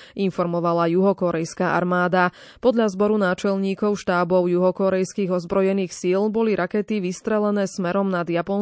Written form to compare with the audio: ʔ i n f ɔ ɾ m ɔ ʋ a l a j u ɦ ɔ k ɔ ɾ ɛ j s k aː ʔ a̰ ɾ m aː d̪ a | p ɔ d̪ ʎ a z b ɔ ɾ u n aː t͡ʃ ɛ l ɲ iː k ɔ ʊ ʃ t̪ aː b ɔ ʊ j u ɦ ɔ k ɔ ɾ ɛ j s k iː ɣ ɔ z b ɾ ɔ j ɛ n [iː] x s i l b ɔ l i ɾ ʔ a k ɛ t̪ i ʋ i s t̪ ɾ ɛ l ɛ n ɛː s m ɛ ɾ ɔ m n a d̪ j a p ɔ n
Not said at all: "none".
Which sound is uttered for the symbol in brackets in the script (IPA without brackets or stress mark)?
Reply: iː